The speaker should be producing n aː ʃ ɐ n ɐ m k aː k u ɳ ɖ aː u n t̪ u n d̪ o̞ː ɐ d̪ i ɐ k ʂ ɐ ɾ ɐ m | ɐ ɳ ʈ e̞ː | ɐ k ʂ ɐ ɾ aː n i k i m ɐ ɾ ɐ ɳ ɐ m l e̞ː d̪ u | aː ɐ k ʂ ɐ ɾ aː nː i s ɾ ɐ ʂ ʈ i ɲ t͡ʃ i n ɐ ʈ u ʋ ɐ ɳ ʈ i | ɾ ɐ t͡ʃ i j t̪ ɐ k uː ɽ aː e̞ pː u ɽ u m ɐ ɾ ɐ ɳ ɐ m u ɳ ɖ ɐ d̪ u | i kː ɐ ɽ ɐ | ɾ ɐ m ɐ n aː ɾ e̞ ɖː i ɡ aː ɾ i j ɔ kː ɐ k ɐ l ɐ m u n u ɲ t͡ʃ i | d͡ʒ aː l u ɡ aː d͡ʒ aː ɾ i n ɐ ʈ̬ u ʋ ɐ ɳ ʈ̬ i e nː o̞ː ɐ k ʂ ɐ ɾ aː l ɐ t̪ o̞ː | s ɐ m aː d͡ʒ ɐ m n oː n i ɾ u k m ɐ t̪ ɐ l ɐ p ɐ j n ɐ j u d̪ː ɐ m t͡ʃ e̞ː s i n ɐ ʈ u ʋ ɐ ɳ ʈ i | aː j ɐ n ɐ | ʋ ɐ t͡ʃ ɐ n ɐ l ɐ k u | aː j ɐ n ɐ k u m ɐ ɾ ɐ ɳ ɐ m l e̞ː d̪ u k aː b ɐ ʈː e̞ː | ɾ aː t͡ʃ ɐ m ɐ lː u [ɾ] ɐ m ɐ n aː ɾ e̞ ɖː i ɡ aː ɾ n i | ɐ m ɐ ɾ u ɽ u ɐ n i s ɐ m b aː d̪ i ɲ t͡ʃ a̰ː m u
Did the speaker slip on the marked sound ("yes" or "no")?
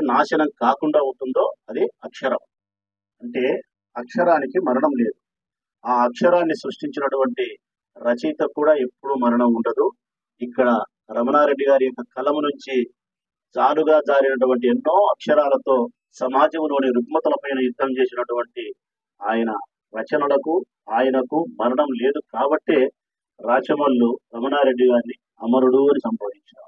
no